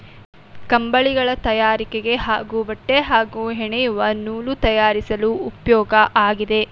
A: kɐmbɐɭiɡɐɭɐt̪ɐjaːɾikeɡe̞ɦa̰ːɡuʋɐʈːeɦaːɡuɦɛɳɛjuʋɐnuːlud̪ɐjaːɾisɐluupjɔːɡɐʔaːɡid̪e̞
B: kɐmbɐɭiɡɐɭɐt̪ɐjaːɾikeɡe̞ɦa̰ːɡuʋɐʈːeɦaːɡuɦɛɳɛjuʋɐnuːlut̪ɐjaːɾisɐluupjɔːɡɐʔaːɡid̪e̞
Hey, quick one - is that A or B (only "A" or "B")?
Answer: B